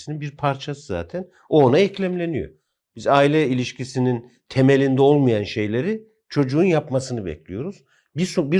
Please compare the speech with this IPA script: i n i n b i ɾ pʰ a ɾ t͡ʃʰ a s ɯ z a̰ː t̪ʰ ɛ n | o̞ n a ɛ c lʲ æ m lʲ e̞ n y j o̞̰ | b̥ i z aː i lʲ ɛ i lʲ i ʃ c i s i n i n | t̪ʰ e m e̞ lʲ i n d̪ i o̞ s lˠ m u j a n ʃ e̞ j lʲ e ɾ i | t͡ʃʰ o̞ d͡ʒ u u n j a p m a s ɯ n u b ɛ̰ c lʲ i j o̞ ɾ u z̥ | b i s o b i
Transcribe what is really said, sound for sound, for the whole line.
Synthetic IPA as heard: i n i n b i ɾ pʰ a ɾ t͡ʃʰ a s ɯ z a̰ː t̪ʰ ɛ n | o̞ n a ɛ c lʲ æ m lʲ e̞ n i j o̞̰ | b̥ i z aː i lʲ ɛ i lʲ i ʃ c i s i n i n | t̪ʰ e m e̞ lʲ i n d̪ ɛ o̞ lˠ m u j a n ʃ e̞ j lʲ e ɾ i | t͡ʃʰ o̞ d͡ʒ u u n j a p m a s ɯ n ɯ b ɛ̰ c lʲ i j o̞ ɾ u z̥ | b i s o b i